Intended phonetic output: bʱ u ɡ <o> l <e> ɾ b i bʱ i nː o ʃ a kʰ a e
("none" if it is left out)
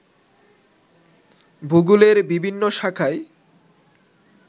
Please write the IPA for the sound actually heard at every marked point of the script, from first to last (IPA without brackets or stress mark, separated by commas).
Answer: u, e